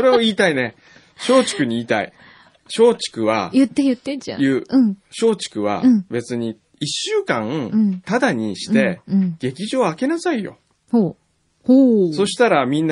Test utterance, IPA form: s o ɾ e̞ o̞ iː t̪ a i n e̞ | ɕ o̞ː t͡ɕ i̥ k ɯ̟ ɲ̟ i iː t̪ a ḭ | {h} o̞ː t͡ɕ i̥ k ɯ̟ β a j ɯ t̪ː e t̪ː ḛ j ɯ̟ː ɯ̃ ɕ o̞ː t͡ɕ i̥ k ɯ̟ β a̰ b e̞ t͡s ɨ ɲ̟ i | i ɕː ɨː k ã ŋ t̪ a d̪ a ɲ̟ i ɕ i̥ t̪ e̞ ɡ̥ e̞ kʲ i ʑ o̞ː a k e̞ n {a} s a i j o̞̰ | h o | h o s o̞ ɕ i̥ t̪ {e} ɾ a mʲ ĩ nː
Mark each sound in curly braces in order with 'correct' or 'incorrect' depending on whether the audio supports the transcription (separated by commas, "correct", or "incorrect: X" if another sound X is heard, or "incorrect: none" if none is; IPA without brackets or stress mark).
incorrect: ɕ, correct, incorrect: a